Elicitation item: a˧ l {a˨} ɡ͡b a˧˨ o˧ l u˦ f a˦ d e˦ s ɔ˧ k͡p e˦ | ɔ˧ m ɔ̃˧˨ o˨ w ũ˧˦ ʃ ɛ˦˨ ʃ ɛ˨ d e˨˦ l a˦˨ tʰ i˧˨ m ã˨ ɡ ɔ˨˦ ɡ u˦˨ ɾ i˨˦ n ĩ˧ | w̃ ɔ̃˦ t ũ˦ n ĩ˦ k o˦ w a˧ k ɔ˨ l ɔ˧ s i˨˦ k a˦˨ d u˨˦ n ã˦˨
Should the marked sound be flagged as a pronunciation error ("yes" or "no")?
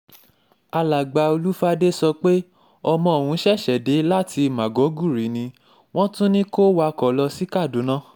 no